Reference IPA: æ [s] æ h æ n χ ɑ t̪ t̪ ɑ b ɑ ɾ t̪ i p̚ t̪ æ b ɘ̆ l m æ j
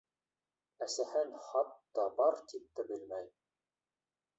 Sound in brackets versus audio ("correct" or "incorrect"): correct